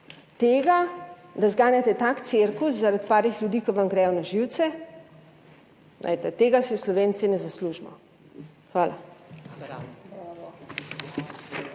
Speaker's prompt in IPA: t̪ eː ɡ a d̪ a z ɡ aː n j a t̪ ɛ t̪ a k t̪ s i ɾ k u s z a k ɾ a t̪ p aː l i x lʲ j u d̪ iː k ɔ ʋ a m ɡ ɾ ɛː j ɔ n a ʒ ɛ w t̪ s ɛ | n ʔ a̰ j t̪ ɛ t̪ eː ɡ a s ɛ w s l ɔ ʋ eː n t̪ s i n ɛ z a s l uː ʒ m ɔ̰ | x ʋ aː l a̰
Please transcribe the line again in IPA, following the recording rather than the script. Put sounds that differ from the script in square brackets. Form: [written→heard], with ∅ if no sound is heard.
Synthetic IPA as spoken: t̪ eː ɡ a d̪ a z ɡ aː n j a t̪ ɛ t̪ a k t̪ s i ɾ k u s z a [k→∅] ɾ a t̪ p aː [l→ɾ] i x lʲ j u d̪ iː k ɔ ʋ a m ɡ ɾ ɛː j ɔ n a ʒ [ɛ→i] w t̪ s ɛ | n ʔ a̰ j t̪ ɛ t̪ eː ɡ a s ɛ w s l ɔ ʋ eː n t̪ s i n ɛ z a s l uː ʒ m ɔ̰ | x ʋ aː l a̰